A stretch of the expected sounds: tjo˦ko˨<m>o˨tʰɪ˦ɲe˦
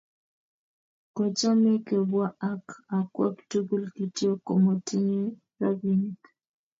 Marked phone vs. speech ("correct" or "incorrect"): correct